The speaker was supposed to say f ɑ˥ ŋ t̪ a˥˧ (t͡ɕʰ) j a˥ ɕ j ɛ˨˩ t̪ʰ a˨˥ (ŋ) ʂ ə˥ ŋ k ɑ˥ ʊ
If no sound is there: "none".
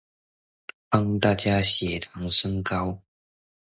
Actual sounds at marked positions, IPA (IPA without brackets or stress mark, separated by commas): t͡ɕ, ŋ